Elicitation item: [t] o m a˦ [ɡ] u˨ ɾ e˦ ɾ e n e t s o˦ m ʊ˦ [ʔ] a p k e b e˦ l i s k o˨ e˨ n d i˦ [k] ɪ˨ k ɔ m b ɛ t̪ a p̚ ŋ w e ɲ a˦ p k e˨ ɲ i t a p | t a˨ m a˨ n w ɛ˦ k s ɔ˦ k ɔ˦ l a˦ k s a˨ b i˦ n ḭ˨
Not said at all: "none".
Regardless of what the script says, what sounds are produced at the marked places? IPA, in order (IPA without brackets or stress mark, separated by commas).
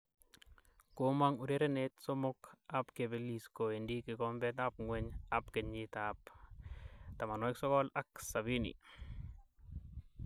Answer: k, ŋ, k, k